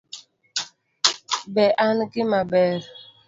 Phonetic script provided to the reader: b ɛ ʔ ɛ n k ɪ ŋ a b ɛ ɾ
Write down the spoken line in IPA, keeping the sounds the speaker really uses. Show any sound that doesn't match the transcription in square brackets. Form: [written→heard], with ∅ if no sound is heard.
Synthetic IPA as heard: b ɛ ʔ [ɛ→a] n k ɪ [ŋ→m] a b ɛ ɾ